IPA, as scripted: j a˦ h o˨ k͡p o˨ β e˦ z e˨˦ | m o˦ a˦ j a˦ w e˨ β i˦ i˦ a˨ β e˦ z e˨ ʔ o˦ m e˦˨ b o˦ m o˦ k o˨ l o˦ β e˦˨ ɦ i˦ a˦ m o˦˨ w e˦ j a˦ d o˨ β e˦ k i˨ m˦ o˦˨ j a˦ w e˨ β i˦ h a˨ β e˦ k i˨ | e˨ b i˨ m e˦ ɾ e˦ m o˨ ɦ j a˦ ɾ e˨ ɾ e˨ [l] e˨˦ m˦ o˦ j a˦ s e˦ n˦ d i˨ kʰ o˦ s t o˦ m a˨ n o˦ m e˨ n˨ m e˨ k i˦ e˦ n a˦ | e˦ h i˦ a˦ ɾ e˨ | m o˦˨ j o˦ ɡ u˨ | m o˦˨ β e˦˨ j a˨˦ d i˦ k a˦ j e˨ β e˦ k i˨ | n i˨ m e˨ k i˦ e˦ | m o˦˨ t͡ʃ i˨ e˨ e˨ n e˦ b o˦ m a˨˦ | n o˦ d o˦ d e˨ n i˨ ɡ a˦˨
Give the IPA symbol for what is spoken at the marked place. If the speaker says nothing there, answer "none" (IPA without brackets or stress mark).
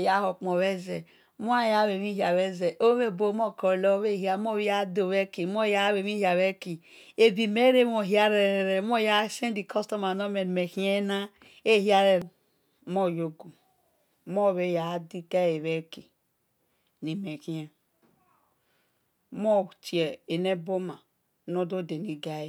ɾ